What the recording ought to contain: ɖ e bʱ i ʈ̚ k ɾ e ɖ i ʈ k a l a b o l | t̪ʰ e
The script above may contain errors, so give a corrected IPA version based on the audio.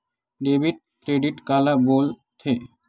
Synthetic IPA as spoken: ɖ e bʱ i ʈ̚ k ɾ e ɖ i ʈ k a l a b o l | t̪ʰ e